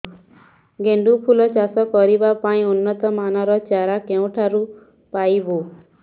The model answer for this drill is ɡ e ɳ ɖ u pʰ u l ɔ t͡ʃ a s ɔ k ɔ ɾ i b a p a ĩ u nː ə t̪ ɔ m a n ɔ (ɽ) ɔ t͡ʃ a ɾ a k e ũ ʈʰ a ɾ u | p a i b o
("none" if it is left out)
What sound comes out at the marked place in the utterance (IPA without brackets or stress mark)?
ɾ